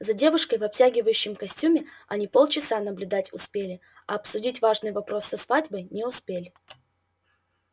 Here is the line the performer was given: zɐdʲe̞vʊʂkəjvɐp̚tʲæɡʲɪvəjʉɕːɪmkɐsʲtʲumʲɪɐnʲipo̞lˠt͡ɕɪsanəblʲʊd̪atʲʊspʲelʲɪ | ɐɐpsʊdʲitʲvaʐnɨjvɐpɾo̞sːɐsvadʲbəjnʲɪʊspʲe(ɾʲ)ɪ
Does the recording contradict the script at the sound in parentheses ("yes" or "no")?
yes